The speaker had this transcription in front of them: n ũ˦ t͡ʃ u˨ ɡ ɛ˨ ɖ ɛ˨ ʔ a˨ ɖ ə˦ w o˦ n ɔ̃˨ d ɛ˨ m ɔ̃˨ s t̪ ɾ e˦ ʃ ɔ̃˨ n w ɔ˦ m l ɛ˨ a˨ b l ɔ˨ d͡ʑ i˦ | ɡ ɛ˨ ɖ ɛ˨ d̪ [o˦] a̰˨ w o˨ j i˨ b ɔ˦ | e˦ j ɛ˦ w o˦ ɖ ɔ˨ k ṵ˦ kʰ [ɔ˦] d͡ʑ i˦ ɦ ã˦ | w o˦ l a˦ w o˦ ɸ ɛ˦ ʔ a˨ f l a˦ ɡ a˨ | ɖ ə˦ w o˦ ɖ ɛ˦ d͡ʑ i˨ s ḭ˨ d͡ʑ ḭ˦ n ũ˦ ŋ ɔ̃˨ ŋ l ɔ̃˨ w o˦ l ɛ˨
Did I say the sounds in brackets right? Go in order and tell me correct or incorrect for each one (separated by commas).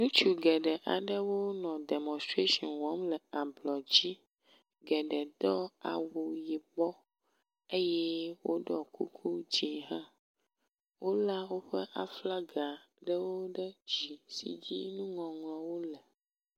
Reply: incorrect, incorrect